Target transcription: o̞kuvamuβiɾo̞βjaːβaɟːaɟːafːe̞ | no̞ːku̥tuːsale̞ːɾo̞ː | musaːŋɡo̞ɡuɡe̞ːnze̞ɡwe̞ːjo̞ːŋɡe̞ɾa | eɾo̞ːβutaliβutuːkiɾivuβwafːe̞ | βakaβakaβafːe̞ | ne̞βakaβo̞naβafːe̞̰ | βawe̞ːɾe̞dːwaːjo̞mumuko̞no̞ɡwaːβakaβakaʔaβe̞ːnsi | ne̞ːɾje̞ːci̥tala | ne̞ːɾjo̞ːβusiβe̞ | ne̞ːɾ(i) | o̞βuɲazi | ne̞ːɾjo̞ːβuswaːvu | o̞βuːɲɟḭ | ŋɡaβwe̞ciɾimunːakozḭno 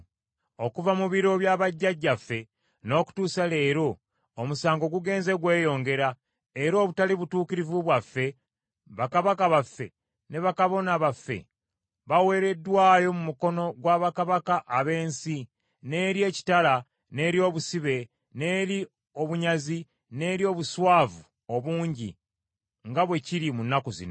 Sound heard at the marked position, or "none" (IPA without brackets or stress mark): i